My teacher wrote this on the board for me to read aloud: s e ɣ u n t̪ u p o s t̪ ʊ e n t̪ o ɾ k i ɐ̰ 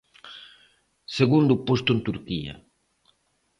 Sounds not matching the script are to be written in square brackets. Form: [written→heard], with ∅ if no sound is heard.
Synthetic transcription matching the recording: s e ɣ u n [t̪→d̪] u p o s t̪ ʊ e n t̪ [o→u] ɾ k i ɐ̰